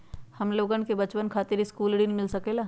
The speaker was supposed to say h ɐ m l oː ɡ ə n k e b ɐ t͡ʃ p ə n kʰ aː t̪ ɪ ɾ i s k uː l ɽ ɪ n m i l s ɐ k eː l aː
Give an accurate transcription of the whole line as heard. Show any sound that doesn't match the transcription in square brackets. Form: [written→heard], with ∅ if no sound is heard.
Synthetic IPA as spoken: h ɐ m l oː ɡ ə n k e b ɐ t͡ʃ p ə n kʰ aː t̪ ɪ ɾ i s k uː l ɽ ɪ n m [i→ɪ] l s ɐ k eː l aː